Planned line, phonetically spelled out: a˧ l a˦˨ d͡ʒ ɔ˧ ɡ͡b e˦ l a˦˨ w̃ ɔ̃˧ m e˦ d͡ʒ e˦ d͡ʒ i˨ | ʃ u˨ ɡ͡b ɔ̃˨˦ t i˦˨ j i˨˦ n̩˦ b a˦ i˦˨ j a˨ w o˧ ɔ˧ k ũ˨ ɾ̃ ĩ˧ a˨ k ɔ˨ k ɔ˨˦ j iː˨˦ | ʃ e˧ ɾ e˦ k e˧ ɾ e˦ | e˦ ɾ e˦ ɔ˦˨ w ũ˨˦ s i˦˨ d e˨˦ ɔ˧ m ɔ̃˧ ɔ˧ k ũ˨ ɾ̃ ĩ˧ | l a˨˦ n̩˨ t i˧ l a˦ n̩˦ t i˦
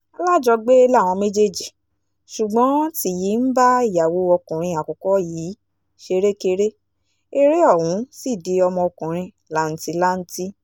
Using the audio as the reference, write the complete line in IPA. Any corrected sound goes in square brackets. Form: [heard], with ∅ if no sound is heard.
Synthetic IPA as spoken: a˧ l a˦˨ d͡ʒ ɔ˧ ɡ͡b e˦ l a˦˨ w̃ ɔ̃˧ m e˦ d͡ʒ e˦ d͡ʒ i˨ | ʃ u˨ ɡ͡b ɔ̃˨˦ t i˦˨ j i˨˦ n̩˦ b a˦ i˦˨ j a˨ w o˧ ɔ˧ k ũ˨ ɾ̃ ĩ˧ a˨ k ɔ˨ k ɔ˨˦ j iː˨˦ | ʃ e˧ ɾ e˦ k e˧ ɾ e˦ | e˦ ɾ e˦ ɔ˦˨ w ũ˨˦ s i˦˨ d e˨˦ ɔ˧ m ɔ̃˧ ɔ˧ k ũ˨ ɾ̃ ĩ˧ | l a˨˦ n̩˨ t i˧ l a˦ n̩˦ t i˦